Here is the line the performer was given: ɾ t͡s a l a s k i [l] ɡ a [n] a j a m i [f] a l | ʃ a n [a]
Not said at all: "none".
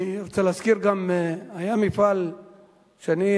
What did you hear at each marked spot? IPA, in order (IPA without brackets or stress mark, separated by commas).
ɾ, m, f, i